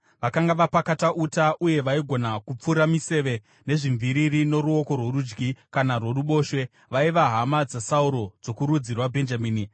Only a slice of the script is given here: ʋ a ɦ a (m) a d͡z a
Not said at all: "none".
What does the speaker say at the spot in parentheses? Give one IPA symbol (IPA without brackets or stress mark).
m